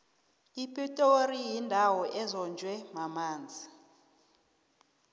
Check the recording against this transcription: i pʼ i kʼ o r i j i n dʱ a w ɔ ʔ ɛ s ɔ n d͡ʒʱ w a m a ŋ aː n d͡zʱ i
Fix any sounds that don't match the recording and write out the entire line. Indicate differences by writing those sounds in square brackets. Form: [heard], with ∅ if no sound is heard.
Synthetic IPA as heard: i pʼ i [tʼ] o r i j i n dʱ a w ɔ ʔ ɛ [z] ɔ n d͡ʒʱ w [ɛ] m a [m] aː n d͡zʱ i